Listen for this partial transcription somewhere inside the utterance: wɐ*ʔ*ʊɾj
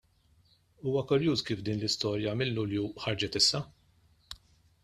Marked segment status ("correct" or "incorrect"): incorrect